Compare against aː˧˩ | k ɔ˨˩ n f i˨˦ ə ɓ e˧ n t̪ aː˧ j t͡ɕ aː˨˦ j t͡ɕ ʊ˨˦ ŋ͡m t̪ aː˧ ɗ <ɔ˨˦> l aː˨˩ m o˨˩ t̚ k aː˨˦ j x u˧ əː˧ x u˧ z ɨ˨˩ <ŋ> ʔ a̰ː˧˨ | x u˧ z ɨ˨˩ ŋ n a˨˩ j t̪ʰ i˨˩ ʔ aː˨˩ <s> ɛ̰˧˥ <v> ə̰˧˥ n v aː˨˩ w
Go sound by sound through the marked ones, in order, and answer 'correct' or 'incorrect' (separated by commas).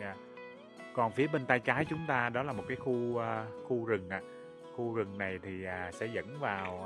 correct, correct, correct, incorrect